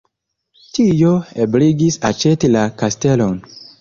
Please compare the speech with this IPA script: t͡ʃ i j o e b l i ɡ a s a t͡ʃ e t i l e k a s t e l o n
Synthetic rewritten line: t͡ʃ i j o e b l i ɡ i s a t͡ʃ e t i l a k a s t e l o n